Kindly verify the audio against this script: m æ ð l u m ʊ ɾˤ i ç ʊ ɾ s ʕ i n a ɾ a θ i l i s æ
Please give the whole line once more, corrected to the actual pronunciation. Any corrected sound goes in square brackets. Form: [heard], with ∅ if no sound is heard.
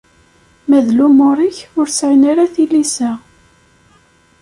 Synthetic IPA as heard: m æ ð l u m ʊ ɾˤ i ç ʊ ɾ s ʕ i n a ɾ a θ i l i s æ